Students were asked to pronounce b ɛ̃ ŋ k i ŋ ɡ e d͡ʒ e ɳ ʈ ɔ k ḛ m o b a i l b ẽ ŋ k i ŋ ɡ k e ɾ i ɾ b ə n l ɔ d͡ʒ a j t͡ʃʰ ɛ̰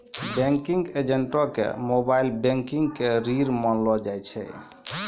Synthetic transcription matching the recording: b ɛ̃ ŋ k i ŋ ɡ e d͡ʒ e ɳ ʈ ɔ k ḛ m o b a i l b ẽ ŋ k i ŋ ɡ k e ɾ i ɾ m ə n l ɔ d͡ʒ a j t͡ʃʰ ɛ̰